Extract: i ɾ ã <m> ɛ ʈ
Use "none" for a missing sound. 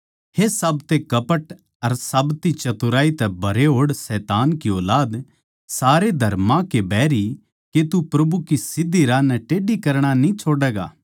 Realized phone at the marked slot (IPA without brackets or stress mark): n